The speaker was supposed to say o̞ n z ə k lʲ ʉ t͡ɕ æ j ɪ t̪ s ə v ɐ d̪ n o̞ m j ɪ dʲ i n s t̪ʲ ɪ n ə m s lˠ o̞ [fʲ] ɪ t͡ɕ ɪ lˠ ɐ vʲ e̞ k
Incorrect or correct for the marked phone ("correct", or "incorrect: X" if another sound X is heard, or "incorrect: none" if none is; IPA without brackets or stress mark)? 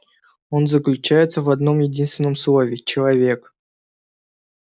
incorrect: vʲ